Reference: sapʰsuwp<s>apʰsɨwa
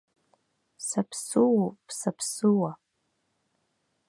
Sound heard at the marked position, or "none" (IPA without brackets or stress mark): s